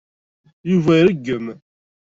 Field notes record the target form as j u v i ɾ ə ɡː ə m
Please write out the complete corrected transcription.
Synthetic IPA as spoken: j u v æ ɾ ə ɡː ə m

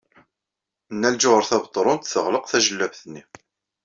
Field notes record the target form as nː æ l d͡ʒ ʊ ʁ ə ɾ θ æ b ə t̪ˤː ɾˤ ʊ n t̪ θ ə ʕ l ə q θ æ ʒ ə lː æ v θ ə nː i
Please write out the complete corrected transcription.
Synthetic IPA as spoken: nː æ l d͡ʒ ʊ ʁ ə ɾ θ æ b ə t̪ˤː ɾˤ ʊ n t̪ θ ə ʁ l ə q θ æ ʒ ə lː æ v θ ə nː i

